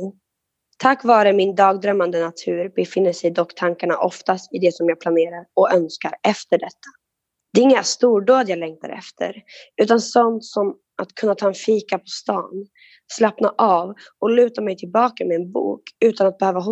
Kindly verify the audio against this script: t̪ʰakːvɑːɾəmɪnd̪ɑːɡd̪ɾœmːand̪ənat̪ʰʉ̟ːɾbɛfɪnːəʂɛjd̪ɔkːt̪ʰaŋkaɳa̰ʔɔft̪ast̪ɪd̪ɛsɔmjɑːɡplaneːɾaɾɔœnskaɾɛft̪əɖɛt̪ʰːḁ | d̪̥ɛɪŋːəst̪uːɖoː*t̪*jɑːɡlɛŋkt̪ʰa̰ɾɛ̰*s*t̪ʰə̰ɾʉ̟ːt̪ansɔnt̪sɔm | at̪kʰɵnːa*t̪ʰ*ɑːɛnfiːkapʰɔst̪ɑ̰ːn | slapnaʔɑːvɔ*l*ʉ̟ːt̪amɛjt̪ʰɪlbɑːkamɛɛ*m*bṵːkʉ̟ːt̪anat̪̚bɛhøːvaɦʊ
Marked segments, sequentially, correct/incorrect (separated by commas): incorrect, incorrect, correct, correct, incorrect